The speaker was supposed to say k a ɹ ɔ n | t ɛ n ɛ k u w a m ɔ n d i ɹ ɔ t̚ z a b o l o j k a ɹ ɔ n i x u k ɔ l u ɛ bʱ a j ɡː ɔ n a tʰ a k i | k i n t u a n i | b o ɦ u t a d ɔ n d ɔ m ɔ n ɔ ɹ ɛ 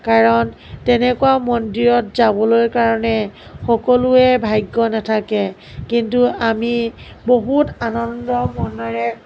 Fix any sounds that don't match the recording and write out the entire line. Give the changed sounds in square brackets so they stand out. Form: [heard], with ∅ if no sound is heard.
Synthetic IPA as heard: k a ɹ ɔ n | t ɛ n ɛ k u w a m ɔ n d i ɹ ɔ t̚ z a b [ɔ] l o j k a ɹ ɔ n [ɛ] x [ɔ] k ɔ l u ɛ bʱ a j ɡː ɔ n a tʰ a k [ɛ] | k i n t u a [m] i | b o ɦ u t a [n] ɔ n d ɔ m ɔ n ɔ ɹ ɛ